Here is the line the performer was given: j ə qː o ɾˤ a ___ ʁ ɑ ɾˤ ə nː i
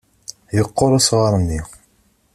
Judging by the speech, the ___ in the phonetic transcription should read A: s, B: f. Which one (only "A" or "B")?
A